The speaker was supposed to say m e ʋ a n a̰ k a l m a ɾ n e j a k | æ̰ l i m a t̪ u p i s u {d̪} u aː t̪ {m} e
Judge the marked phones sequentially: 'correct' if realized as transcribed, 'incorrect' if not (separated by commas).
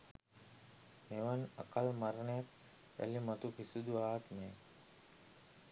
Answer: correct, correct